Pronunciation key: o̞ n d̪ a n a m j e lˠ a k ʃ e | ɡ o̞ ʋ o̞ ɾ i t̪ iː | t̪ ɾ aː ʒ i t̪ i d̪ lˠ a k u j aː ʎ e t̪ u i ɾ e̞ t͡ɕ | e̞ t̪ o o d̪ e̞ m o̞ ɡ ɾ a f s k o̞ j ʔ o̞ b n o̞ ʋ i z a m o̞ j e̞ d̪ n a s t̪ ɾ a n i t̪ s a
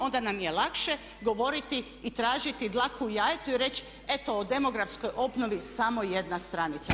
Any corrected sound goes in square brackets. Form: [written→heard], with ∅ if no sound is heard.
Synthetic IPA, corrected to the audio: o̞ n d̪ a n a m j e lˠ a k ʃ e | ɡ o̞ ʋ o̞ ɾ i t̪ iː | t̪ ɾ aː ʒ i t̪ i d̪ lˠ a k u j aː [ʎ→j] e t̪ u i ɾ e̞ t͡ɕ | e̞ t̪ o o d̪ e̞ m o̞ ɡ ɾ a f s k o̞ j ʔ o̞ b n o̞ ʋ i [z→s] a m o̞ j e̞ d̪ n a s t̪ ɾ a n i t̪ s a